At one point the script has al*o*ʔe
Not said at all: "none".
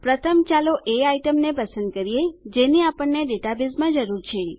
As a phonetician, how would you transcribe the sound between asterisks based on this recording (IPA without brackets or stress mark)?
o